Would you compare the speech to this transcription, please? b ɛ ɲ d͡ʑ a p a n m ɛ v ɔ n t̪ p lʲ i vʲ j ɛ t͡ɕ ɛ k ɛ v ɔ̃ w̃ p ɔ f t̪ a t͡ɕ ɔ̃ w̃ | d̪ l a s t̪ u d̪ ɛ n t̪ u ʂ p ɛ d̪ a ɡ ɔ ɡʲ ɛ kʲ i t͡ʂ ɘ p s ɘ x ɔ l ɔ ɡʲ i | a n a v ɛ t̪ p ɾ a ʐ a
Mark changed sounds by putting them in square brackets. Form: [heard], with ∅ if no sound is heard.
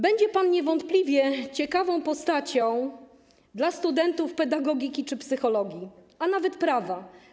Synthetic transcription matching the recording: b ɛ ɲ d͡ʑ [ɛ] p a n [ɲ] ɛ v ɔ n t̪ p lʲ i vʲ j ɛ t͡ɕ ɛ k [a] v ɔ̃ w̃ p ɔ [s] t̪ a t͡ɕ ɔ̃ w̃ | d̪ l a s t̪ u d̪ ɛ n t̪ u [f] p ɛ d̪ a ɡ ɔ ɡʲ [i] kʲ i t͡ʂ ɘ p s ɘ x ɔ l ɔ ɡʲ i | a n a v ɛ t̪ p ɾ a [v] a